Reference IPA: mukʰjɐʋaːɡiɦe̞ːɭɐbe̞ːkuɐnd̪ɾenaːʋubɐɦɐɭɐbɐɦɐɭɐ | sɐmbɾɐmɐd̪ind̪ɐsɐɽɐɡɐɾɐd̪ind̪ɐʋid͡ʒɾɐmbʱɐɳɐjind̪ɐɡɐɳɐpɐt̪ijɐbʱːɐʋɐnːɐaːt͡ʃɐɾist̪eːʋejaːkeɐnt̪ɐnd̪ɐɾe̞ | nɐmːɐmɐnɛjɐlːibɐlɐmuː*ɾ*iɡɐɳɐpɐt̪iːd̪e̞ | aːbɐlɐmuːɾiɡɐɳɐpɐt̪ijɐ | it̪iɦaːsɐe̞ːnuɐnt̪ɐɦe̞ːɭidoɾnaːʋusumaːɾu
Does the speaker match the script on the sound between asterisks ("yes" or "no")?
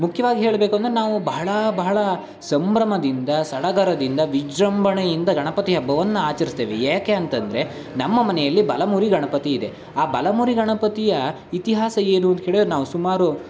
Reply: yes